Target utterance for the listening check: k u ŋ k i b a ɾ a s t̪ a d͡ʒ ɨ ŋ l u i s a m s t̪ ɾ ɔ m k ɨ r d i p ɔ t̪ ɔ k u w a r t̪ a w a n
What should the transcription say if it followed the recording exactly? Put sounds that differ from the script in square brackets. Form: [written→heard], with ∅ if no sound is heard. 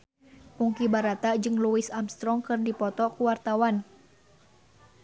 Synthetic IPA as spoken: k u ŋ k i b a ɾ a [s→∅] t̪ a d͡ʒ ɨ ŋ l u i s a m s t̪ ɾ ɔ [m→ŋ] k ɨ r d i p ɔ t̪ ɔ k u w a r t̪ a w a n